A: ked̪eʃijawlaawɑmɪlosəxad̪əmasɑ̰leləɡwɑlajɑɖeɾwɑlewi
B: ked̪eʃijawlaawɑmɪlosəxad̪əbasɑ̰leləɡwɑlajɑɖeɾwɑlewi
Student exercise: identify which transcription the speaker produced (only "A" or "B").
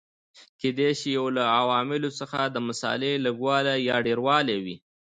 A